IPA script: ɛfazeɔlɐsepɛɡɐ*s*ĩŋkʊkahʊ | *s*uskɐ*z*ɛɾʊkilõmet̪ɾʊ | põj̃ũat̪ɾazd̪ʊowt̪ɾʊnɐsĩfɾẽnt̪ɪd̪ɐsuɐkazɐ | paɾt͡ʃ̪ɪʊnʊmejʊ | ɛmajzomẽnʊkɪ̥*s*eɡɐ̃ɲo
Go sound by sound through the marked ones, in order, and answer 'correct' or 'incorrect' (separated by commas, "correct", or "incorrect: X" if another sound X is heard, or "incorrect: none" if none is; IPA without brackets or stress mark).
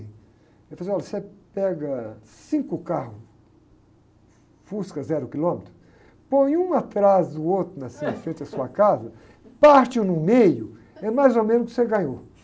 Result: correct, incorrect: f, correct, correct